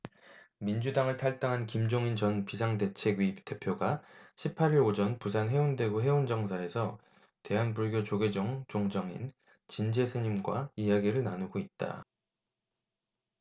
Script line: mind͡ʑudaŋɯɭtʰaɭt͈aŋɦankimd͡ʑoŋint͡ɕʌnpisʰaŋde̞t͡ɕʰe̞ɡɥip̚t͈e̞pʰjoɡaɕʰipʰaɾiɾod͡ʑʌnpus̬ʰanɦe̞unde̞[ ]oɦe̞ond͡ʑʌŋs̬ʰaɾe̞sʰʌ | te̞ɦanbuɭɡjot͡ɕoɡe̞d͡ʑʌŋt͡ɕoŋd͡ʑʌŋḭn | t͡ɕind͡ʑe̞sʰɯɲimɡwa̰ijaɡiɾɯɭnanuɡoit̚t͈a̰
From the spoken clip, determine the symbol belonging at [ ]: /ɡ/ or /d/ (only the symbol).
ɡ